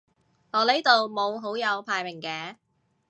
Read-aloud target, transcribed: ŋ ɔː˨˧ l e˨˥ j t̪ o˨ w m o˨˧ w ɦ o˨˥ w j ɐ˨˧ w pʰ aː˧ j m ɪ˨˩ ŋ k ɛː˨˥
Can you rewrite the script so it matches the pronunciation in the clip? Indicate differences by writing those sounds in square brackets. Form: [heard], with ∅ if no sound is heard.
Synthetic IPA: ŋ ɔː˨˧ l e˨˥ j t̪ o˨ w m o˨˧ w ɦ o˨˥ w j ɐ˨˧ w pʰ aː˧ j m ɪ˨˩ ŋ k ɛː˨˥